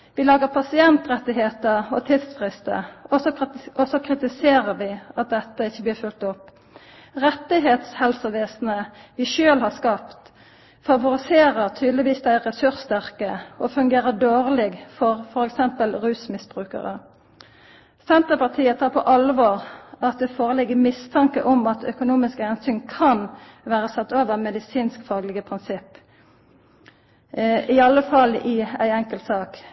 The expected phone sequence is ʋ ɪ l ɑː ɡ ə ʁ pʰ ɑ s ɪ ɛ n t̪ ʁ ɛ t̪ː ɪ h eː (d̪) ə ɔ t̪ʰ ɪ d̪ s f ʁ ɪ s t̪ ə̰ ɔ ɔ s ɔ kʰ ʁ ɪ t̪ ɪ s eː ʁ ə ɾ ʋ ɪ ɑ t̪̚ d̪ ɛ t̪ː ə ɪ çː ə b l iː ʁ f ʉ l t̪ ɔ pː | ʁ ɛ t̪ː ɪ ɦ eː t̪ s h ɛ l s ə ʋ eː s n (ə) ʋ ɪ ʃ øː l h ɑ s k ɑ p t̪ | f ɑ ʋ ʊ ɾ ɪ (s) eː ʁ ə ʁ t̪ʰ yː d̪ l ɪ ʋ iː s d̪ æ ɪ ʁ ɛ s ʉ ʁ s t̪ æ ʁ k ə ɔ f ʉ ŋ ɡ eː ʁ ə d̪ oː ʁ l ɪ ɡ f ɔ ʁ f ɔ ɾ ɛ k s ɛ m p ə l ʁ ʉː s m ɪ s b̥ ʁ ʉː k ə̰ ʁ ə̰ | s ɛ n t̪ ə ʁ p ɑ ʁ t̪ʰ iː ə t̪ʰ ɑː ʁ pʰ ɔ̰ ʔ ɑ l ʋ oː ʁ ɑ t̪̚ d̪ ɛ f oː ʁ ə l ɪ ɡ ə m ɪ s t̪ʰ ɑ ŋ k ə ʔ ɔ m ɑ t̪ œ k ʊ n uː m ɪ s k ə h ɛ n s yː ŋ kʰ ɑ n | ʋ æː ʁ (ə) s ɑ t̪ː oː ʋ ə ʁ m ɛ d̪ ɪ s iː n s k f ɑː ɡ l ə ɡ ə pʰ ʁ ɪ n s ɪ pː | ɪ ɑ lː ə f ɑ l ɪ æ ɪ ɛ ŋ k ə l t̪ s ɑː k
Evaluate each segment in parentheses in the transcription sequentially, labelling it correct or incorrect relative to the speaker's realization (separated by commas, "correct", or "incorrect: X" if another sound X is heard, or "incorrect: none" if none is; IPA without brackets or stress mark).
incorrect: t̪, correct, correct, correct